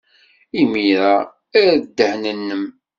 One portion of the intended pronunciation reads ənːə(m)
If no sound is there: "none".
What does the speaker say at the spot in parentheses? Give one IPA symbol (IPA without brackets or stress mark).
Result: m